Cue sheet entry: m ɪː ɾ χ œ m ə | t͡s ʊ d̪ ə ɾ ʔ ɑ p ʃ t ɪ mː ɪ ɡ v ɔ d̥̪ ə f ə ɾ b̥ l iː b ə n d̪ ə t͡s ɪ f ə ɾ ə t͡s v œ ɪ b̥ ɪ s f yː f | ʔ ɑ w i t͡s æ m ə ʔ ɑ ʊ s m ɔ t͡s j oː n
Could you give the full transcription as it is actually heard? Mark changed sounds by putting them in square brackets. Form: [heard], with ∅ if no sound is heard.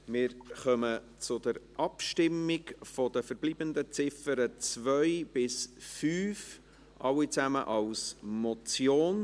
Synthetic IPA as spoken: m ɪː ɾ χ œ m ə | t͡s ʊ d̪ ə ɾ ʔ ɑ p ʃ t ɪ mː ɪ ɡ [f] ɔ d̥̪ ə f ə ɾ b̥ l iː b ə n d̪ ə t͡s ɪ f ə ɾ ə t͡s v œ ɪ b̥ ɪ s f yː f | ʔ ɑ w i t͡s æ m ə ʔ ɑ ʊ s m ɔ t͡s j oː n